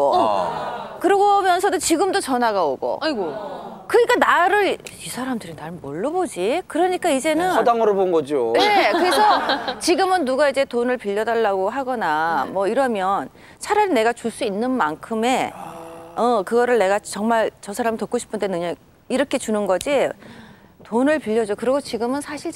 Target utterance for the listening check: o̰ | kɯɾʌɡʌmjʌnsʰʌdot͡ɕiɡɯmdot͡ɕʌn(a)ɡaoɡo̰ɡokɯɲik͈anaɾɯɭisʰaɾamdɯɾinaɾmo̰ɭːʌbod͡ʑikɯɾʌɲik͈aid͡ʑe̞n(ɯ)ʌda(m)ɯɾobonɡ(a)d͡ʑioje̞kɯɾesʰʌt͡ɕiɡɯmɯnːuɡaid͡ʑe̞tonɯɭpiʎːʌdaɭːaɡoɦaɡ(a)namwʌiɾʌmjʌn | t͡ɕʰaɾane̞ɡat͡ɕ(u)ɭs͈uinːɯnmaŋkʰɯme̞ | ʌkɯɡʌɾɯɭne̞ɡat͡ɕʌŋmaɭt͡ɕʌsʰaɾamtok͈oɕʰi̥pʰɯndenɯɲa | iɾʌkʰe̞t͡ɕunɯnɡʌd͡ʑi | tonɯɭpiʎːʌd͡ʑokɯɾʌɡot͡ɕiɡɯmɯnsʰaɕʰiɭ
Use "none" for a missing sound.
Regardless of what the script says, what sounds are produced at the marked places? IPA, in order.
a, ɯ, ŋ, ʌ, ʌ, u

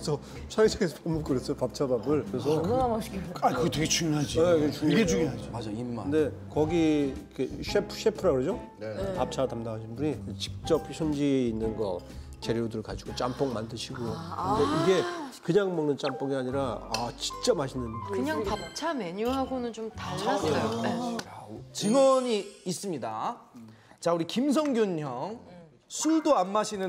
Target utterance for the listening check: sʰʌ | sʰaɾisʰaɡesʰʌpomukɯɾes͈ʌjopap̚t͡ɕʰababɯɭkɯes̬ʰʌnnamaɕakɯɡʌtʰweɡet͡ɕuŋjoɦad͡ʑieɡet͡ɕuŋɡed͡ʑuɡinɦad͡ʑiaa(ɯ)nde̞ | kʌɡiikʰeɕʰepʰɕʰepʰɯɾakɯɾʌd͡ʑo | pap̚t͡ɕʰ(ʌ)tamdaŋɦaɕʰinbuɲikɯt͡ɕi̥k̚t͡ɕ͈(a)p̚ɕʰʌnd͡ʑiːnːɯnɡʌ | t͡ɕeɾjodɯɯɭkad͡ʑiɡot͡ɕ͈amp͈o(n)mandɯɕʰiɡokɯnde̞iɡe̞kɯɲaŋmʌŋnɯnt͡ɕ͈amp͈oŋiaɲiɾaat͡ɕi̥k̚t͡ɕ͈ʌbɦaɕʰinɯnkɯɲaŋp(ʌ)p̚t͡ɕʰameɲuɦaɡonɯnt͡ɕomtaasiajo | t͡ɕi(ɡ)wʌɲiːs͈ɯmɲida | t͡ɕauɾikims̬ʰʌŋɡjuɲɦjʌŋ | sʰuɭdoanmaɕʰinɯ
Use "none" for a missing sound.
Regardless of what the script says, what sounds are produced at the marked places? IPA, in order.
ɯ, a, ʌ, ŋ, a, ŋ

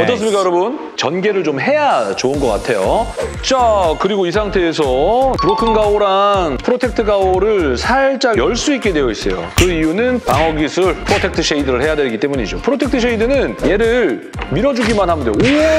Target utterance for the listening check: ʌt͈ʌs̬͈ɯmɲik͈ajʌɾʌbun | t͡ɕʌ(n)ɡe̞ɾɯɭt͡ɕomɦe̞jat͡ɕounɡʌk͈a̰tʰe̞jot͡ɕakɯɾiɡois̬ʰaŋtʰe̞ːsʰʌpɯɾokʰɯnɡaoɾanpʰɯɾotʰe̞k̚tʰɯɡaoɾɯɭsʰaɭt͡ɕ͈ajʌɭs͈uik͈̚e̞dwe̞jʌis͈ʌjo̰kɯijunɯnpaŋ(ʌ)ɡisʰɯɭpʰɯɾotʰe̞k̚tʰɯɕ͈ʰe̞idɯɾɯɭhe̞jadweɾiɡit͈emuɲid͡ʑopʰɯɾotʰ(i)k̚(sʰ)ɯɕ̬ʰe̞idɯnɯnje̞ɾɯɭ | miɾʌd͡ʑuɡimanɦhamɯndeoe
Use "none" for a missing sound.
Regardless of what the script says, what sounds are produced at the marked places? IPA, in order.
n, ʌ, e, tʰ

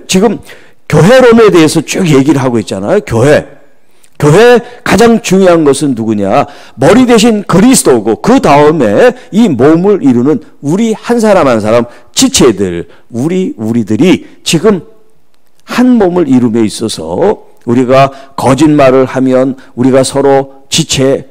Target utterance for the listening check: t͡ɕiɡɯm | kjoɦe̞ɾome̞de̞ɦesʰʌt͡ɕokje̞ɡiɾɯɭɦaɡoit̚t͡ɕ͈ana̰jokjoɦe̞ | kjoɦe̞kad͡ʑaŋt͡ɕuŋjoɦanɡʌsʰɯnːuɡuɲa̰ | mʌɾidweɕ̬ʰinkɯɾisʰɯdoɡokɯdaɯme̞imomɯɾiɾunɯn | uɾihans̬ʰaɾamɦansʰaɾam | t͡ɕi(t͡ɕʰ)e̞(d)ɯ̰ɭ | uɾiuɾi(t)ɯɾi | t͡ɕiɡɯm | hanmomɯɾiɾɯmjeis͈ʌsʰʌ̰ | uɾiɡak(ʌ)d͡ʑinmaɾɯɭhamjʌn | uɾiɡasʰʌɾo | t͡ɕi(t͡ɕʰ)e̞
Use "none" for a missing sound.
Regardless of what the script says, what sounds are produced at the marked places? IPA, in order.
t͡ɕʰ, d, d, ʌ, t͡ɕʰ

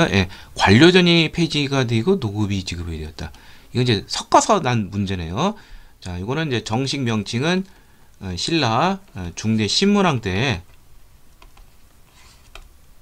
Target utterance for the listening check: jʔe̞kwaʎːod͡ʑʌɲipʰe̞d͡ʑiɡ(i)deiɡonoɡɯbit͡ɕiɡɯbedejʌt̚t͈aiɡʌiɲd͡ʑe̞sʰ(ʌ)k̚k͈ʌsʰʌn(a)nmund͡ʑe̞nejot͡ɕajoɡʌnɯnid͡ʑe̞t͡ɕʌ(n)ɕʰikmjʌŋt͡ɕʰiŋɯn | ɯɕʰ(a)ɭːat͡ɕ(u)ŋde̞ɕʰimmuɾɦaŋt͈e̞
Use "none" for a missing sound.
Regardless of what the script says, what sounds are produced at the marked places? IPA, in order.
a, ʌ, a, ŋ, i, u

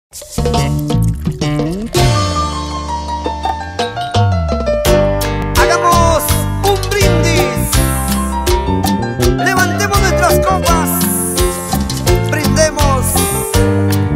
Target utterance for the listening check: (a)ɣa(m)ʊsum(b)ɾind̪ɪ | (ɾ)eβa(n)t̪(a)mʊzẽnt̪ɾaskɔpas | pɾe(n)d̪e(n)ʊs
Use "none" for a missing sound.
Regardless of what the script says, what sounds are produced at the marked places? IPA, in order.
a, m, b, l, n, e, n, m

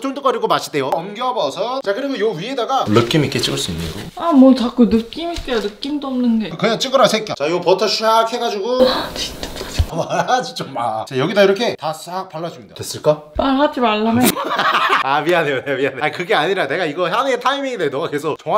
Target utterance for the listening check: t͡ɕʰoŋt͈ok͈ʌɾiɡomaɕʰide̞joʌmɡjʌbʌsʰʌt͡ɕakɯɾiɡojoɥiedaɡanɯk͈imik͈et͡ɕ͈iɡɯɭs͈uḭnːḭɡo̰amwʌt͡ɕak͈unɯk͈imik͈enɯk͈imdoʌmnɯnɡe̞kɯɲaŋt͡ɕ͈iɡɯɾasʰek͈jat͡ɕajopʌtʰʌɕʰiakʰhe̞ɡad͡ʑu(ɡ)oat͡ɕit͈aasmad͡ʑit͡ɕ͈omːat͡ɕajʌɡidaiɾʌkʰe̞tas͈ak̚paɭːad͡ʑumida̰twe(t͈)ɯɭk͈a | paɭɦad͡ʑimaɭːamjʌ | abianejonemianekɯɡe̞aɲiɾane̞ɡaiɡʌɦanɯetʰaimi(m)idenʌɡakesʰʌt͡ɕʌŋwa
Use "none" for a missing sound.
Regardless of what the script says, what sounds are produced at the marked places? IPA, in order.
ɡ, s͈, ŋ

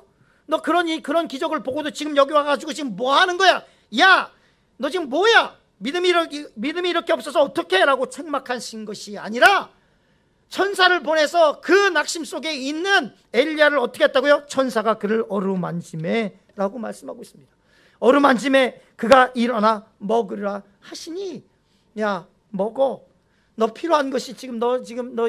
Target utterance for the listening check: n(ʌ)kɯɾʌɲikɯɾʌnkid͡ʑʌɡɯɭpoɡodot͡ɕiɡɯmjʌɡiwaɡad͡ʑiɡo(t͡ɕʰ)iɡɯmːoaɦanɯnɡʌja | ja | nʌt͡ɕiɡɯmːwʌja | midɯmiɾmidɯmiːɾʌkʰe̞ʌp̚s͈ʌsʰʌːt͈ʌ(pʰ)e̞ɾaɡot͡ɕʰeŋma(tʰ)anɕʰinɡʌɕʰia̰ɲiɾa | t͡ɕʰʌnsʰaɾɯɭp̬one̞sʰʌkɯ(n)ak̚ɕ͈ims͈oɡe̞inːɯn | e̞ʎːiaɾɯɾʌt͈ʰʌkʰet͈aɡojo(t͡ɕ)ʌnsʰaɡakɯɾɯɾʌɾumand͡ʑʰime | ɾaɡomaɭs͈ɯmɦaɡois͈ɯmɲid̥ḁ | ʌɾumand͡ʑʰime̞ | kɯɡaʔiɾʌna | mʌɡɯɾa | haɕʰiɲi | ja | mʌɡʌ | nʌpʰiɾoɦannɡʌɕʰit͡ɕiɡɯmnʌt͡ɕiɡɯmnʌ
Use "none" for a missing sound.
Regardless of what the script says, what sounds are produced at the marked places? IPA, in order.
ʌ, t͡ɕ, kʰ, kʰ, n, t͡ɕʰ

